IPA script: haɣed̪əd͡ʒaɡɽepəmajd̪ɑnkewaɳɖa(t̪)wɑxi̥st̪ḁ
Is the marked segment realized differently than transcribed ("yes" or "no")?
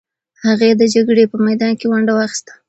yes